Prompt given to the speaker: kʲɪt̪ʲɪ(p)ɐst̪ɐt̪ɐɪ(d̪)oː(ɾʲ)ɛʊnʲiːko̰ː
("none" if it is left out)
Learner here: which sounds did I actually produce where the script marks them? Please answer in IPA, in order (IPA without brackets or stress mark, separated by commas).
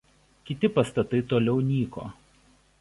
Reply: p, t̪, lʲ